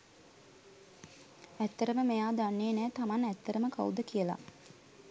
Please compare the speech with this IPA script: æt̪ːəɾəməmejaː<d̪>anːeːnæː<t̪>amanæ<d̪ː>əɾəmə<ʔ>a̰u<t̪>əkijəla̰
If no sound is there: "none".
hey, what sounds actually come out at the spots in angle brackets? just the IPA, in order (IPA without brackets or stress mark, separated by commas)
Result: d̪, t̪, t̪ː, k, d̪